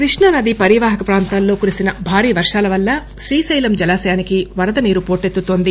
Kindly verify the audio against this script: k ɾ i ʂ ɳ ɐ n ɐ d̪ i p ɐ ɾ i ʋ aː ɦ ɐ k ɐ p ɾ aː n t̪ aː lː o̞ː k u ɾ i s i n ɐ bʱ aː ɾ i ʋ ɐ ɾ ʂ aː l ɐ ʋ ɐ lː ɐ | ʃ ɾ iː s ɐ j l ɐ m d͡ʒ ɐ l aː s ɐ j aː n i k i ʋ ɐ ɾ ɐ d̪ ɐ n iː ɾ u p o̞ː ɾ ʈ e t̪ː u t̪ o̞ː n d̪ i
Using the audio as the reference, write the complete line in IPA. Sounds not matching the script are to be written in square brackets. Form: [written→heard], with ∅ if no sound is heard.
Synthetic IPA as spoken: k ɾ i ʂ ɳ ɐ n ɐ d̪ i p ɐ ɾ i ʋ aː ɦ ɐ k ɐ p ɾ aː n t̪ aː lː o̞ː k u ɾ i s i n ɐ bʱ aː ɾ [i→iː] ʋ ɐ ɾ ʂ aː l ɐ ʋ ɐ lː ɐ | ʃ ɾ iː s ɐ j l ɐ m d͡ʒ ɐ l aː s ɐ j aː n i k i ʋ ɐ ɾ ɐ d̪ ɐ n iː ɾ u p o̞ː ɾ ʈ e t̪ː u t̪ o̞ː n d̪ i